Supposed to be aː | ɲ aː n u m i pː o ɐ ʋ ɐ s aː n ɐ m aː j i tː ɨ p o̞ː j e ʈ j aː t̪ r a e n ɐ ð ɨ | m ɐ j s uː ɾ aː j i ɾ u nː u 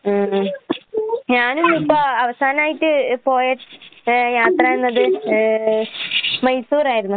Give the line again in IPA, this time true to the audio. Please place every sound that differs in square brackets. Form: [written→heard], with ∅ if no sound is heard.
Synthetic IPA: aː | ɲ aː n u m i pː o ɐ ʋ ɐ s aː n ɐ m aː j i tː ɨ p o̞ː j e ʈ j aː t̪ r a e [n→nː] ɐ ð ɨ | m ɐ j s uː ɾ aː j i ɾ u nː u